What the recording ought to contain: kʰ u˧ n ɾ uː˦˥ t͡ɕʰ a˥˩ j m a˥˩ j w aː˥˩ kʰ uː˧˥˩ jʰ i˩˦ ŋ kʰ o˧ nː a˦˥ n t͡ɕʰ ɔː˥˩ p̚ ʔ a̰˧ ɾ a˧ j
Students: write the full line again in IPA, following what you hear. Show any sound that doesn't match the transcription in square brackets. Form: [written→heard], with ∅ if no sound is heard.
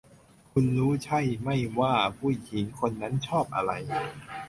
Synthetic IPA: kʰ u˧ n ɾ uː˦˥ t͡ɕʰ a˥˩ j m a˥˩ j w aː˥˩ [kʰ→pʰ] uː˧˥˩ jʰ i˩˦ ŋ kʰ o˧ nː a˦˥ n t͡ɕʰ ɔː˥˩ p̚ ʔ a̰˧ ɾ a˧ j